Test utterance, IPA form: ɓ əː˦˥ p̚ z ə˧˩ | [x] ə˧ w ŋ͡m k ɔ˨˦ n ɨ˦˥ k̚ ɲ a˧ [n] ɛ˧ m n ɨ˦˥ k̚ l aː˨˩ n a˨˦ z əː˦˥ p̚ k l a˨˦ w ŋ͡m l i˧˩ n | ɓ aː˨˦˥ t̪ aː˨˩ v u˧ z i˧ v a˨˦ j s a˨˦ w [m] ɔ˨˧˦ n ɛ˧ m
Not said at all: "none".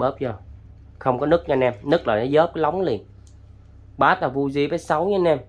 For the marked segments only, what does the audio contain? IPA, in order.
x, n, ɲ

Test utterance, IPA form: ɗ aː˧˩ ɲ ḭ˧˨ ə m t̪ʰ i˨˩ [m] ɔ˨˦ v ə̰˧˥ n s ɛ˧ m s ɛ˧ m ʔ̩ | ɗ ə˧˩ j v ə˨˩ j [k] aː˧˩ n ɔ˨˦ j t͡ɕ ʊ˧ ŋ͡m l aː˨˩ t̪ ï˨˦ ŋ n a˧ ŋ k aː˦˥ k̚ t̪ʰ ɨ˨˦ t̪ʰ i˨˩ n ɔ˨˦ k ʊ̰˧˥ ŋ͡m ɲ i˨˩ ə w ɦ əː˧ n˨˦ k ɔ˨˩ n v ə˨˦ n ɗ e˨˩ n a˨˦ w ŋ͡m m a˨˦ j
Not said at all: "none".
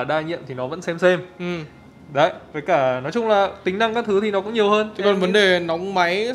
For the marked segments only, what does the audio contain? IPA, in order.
n, k

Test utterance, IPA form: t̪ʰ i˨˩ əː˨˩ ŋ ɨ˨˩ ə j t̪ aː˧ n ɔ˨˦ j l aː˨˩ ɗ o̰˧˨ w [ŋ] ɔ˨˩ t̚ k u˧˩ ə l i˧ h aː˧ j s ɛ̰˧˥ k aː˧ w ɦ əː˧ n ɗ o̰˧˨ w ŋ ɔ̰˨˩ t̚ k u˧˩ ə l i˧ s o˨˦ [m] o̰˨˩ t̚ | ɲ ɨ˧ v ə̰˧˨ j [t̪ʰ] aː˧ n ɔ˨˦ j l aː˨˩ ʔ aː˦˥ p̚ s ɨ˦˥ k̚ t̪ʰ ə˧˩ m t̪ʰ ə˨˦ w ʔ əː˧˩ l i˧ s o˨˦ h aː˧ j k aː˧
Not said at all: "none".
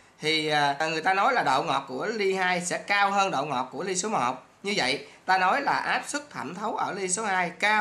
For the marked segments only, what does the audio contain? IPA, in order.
ŋ, m, t̪

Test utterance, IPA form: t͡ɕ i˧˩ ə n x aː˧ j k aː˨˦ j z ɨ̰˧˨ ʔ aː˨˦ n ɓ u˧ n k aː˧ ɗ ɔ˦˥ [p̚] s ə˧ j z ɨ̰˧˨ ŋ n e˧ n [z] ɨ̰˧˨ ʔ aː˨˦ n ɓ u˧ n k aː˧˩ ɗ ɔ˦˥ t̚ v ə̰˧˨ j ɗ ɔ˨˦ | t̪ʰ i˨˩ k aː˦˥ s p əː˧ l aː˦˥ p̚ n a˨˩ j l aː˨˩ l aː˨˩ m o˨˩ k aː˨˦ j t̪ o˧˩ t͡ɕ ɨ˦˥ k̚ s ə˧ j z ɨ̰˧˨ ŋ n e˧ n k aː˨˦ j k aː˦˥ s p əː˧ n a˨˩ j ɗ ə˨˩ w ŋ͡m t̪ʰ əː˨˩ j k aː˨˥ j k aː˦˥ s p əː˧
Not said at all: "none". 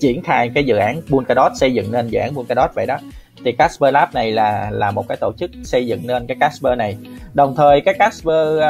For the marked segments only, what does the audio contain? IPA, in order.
t̚, z

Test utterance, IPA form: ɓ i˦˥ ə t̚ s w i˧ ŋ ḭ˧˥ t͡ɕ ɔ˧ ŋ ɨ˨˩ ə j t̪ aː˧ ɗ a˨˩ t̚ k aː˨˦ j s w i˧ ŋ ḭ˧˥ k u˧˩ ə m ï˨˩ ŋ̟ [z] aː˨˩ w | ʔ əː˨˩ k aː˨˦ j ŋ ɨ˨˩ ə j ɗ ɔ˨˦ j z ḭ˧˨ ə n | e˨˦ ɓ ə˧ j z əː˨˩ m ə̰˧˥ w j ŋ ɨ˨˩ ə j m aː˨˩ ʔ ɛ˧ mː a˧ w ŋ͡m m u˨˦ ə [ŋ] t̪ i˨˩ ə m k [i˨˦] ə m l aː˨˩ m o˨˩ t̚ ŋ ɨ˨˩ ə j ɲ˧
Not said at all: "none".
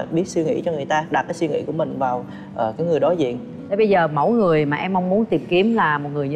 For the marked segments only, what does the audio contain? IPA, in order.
v, n, i˨˦

